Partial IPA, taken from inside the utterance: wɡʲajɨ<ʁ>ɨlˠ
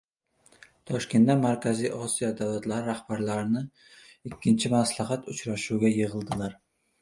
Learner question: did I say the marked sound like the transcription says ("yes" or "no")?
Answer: yes